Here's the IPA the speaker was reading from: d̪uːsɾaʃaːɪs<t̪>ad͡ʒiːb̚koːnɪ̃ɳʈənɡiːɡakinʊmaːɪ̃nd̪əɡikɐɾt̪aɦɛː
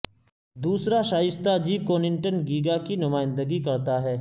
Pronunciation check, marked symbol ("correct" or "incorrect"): correct